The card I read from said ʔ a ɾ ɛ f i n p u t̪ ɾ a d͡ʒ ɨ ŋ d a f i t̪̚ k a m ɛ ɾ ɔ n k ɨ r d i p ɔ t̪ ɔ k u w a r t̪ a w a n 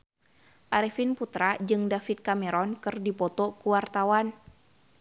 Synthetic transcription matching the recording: ʔ a ɾ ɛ f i n p u t̪ ɾ a d͡ʒ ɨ ŋ d a f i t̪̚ k a m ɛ ɾ ɔ n k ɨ r d i p ɔ t̪ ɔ k u w a r t̪ a w a n

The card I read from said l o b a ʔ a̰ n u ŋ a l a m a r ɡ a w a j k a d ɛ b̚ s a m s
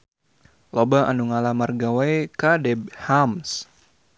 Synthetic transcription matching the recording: l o b a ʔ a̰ n u ŋ a l a m a r ɡ a w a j k a d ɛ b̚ h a m s

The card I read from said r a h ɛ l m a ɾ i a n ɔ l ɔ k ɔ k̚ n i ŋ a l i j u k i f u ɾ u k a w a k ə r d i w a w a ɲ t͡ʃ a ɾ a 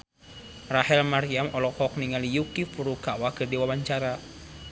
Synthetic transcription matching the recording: r a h ɛ l m a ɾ i a m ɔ l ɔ k ɔ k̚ n i ŋ a l i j u k i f u ɾ u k a w a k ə r d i w a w a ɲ t͡ʃ a ɾ a

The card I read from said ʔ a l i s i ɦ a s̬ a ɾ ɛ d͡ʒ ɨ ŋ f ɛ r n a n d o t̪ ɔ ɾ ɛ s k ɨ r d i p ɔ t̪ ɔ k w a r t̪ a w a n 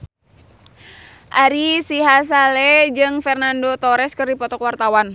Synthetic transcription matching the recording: ʔ a ɾ i s i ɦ a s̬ a l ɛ d͡ʒ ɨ ŋ f ɛ r n a n d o t̪ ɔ ɾ ɛ s k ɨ r d i p ɔ t̪ ɔ k w a r t̪ a w a n

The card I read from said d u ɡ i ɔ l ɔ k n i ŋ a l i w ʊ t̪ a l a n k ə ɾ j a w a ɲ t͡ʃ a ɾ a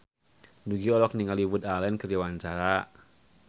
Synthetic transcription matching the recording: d u ɡ i ɔ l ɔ k n i ŋ a l i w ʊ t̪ a l ɛ n k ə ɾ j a w a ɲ t͡ʃ a ɾ a

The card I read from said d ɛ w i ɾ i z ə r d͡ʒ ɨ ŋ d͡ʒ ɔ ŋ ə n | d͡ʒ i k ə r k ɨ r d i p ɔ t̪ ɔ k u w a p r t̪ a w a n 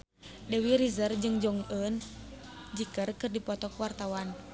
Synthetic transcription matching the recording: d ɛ w i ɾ i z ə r d͡ʒ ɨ ŋ d͡ʒ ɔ ŋ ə n | d͡ʒ i k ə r k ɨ r d i p ɔ t̪ ɔ k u w a r t̪ a w a n

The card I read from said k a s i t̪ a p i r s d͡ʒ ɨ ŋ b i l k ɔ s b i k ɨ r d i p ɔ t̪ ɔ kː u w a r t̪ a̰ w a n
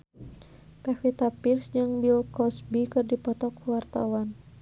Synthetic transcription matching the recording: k a f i t̪ a p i r s d͡ʒ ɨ ŋ b i l k ɔ s b i k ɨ r d i p ɔ t̪ ɔ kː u w a r t̪ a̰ w a n

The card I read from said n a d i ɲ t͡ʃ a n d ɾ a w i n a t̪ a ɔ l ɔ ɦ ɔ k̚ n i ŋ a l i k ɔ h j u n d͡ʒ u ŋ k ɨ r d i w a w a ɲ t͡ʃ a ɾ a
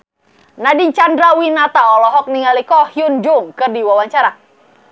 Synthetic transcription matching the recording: n a d i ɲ t͡ʃ a n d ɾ a w i n a t̪ a ɔ l ɔ ɦ ɔ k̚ n i ŋ a l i k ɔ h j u n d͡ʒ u ŋ k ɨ r d i w a w a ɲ t͡ʃ a ɾ a

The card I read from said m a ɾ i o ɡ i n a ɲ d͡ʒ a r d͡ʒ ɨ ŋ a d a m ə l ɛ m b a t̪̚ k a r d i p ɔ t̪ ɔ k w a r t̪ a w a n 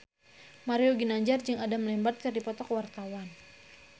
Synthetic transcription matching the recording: m a ɾ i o ɡ i n a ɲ d͡ʒ a r d͡ʒ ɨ ŋ a d a m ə l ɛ m b a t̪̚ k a r d i p ɔ t̪ ɔ k w a r t̪ a w a n

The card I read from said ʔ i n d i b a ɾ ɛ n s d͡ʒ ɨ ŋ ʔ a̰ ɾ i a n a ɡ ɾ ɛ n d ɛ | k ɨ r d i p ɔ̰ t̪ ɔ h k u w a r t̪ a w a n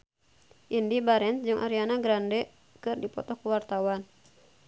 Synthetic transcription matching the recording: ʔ i n d i b a ɾ ɛ n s d͡ʒ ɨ ŋ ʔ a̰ ɾ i a n a ɡ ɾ a n d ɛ | k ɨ r d i p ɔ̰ t̪ ɔ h k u w a r t̪ a w a n

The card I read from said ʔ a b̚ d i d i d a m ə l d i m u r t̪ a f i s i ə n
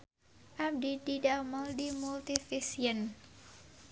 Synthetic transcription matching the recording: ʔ a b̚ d i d i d a m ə l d i m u l t̪ i f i s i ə n

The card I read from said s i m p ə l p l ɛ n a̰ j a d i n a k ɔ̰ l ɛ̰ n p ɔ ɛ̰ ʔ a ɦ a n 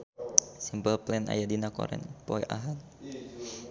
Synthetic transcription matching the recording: s i m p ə l p l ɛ n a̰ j a d i n a k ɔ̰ ɾ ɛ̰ n p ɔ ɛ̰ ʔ a ɦ a n

